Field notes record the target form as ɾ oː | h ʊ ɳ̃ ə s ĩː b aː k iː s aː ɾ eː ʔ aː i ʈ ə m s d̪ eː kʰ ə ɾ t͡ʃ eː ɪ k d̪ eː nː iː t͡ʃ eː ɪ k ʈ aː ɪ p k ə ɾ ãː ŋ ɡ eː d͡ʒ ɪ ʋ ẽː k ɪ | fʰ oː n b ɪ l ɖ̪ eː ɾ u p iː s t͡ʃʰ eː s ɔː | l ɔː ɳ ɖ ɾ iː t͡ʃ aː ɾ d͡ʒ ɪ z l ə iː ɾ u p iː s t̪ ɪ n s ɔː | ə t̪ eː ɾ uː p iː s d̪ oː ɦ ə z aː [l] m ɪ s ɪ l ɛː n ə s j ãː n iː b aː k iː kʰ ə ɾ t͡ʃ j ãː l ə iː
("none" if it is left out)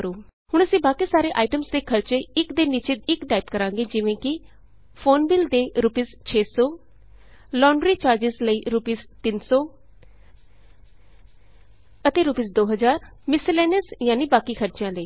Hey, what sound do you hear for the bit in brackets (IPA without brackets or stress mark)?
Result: ɾ